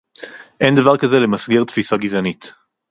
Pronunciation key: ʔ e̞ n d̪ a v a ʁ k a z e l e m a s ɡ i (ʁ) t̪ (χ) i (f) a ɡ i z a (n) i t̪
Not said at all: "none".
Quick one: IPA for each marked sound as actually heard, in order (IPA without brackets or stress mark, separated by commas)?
ʁ, f, s, n